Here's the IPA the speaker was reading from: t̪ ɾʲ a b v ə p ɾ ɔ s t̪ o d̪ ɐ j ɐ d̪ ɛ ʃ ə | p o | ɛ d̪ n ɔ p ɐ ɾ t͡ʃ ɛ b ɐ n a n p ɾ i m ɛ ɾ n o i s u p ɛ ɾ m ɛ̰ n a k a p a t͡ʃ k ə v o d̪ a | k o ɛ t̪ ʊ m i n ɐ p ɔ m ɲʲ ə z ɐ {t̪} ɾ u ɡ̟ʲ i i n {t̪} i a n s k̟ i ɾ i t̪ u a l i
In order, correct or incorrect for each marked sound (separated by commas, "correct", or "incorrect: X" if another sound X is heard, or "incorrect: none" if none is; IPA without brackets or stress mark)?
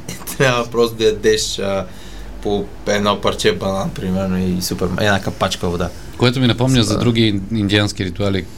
incorrect: d̪, incorrect: d̪